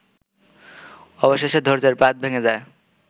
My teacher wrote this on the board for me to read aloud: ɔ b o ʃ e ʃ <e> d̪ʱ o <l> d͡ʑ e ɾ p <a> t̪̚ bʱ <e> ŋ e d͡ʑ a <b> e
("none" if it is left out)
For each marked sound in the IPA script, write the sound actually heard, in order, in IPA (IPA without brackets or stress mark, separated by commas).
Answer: e, ɾ, a, e, none